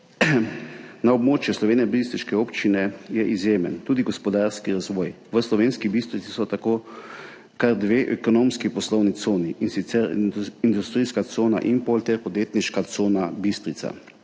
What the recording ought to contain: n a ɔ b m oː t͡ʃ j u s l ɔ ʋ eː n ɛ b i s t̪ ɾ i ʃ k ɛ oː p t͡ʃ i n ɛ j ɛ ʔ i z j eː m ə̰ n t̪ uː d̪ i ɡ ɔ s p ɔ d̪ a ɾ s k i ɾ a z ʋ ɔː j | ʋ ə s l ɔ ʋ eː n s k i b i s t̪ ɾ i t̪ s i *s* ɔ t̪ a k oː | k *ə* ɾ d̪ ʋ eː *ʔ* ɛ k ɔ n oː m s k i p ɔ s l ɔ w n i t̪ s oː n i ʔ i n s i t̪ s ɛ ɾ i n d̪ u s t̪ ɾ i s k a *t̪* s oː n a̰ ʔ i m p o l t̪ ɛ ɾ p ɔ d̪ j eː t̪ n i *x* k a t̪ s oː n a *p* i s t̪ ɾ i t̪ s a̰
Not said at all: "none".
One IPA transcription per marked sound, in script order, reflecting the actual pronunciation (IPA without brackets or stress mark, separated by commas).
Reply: s, a, ʔ, t̪, ʃ, b